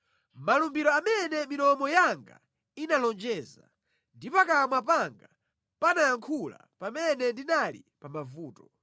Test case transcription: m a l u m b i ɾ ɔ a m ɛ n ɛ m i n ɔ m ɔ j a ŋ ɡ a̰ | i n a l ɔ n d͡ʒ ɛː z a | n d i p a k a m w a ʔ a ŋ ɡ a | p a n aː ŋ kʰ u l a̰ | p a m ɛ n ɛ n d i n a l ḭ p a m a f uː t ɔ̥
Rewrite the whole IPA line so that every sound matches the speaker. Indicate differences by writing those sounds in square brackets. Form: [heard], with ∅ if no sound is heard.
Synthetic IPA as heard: m a l u m b i ɾ ɔ a m ɛ n ɛ m i n ɔ m ɔ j a ŋ ɡ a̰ | i n a l ɔ n d͡ʒ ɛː z a | n d i p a k a m w a [p] a ŋ ɡ a | p a n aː ŋ kʰ u l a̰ | p a m ɛ n ɛ n d i n a l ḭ p a m a [v] uː t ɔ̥